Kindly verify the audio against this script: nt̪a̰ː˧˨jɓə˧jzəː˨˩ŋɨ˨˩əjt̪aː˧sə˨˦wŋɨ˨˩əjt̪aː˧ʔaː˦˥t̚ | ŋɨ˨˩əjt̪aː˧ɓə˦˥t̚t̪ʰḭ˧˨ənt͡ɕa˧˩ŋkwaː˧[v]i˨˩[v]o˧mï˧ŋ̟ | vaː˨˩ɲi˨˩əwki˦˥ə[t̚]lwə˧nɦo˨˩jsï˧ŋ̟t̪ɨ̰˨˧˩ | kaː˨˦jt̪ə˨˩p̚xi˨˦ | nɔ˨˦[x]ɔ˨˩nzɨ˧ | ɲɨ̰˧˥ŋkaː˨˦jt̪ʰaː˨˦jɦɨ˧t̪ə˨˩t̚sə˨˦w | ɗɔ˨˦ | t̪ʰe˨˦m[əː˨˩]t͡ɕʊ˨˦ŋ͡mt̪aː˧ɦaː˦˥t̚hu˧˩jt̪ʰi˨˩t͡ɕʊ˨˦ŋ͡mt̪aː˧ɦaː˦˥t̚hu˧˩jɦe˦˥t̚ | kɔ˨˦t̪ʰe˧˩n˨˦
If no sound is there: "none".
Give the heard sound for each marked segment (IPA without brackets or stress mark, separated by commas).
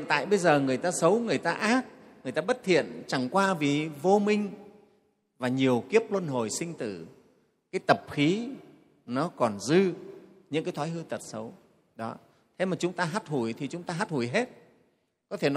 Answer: v, v, p̚, k, aː˨˩